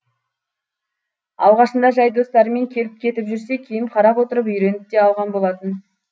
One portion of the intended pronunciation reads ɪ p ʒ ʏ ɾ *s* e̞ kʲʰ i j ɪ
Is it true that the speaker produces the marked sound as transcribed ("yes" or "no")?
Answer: yes